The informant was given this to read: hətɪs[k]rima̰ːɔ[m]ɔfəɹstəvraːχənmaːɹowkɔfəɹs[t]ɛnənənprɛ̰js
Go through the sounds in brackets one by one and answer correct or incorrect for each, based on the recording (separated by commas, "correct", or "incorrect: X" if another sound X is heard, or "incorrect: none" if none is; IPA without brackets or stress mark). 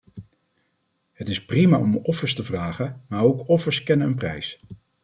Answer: incorrect: p, correct, incorrect: k